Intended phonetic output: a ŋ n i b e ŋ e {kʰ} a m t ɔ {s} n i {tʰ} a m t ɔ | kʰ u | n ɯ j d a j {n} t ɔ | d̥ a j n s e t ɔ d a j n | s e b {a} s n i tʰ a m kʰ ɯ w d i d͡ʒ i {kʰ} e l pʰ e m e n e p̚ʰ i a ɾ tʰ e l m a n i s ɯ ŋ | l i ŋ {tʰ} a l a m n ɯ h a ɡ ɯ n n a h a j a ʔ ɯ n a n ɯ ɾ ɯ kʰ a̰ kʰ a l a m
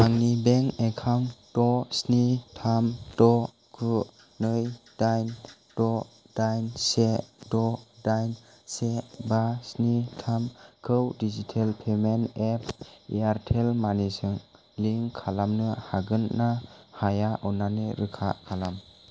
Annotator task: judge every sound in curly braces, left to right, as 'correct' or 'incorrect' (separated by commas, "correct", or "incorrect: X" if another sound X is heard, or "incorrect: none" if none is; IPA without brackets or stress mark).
correct, correct, correct, correct, correct, incorrect: tʰ, incorrect: kʰ